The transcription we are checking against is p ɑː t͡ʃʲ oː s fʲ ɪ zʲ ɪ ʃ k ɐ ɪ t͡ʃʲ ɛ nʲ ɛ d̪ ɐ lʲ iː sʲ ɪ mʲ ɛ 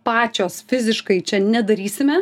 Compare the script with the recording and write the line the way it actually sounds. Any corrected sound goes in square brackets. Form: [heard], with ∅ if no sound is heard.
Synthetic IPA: p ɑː t͡ʃʲ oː s fʲ ɪ zʲ ɪ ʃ k ɐ ɪ t͡ʃʲ ɛ nʲ ɛ d̪ ɐ [ɾʲ] iː sʲ ɪ mʲ ɛ